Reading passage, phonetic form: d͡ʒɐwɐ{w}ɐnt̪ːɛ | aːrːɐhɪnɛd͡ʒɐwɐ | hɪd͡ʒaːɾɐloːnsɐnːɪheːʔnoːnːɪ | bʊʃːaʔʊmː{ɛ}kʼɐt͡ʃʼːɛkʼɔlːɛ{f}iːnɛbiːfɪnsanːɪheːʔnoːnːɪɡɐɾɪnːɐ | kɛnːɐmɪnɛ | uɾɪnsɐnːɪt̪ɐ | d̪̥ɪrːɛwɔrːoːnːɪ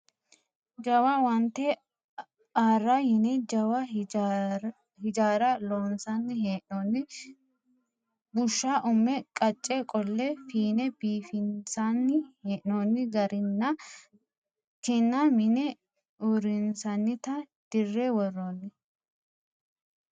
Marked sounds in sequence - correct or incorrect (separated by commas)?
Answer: correct, correct, correct